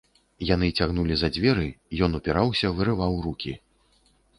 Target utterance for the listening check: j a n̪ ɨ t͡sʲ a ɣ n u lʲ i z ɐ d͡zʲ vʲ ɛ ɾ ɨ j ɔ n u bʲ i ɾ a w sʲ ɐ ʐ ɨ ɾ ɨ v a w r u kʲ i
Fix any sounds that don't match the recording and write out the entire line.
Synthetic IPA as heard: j a n̪ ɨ t͡sʲ a ɣ n u lʲ i z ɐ d͡zʲ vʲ ɛ ɾ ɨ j ɔ n u pʲ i ɾ a w sʲ ɐ v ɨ ɾ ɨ v a w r u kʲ i